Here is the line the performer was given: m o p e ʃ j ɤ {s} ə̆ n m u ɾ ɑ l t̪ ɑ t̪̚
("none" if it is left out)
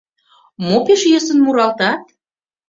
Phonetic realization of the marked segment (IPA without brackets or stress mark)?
s